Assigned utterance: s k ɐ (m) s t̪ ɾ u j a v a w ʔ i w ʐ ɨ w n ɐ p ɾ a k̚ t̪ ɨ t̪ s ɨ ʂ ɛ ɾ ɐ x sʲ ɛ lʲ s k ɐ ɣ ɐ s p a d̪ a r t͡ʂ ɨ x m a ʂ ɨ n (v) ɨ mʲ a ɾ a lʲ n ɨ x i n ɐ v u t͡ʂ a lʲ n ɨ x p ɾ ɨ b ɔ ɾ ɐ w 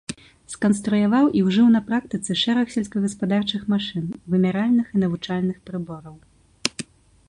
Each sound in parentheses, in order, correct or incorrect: incorrect: n, correct

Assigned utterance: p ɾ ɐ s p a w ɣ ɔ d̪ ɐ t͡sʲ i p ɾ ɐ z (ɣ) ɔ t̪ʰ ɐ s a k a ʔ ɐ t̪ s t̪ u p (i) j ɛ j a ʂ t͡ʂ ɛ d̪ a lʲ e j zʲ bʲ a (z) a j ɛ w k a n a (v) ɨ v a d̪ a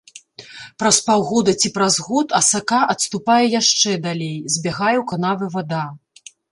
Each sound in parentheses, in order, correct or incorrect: correct, incorrect: a, incorrect: ɣ, correct

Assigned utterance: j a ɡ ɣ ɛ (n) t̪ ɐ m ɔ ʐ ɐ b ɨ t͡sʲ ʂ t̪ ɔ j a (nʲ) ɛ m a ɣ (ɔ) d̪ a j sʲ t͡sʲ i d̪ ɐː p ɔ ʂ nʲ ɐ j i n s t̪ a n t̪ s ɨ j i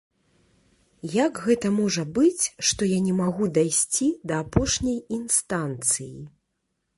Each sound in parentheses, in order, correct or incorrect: incorrect: none, correct, incorrect: u

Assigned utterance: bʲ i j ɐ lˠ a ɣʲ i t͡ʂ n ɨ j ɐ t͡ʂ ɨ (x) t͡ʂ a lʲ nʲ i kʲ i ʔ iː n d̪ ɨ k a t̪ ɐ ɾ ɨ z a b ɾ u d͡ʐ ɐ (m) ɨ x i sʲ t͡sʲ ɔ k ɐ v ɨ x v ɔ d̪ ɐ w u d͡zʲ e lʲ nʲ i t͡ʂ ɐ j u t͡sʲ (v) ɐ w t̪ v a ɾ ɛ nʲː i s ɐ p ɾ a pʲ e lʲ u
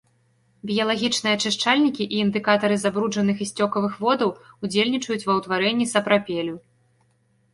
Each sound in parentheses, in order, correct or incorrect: incorrect: ʂ, incorrect: n, correct

